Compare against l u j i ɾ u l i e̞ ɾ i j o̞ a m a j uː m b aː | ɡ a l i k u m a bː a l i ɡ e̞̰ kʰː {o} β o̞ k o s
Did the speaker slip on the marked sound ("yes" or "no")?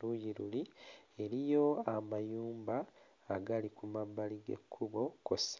yes